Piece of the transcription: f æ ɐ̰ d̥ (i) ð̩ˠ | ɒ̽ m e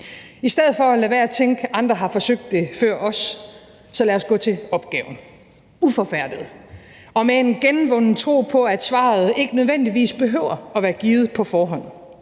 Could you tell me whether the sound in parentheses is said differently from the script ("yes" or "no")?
no